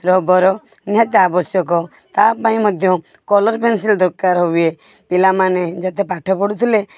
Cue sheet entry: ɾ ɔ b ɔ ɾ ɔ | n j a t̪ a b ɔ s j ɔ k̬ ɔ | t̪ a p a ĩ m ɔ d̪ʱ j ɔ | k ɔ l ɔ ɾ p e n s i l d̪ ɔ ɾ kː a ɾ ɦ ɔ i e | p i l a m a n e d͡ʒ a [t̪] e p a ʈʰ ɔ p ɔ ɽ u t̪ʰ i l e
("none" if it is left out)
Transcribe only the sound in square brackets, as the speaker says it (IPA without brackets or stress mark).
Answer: t̪